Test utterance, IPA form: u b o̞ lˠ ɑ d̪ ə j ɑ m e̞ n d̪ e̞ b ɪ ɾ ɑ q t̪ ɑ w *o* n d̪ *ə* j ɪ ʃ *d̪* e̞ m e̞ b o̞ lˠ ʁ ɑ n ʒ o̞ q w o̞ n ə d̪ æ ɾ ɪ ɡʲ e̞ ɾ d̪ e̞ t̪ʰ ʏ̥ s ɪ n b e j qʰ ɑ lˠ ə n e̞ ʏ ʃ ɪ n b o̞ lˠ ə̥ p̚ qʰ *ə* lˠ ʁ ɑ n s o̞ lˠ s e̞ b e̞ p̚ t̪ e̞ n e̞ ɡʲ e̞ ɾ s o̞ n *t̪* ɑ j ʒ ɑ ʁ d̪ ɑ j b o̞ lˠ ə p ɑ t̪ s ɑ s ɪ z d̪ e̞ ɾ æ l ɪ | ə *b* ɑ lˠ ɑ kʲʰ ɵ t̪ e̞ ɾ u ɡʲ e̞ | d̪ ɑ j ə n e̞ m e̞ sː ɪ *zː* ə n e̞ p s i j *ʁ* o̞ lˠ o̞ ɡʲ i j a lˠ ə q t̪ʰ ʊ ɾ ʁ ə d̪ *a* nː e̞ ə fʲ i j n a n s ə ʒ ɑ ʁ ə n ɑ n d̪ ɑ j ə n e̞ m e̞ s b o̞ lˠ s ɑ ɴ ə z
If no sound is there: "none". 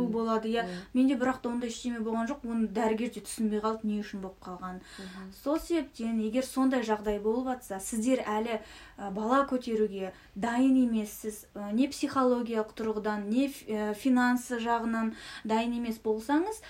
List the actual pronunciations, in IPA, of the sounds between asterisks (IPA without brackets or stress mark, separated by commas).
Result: o, ɑ, t̪, ɑ, d̪, b, z, χ, ɑ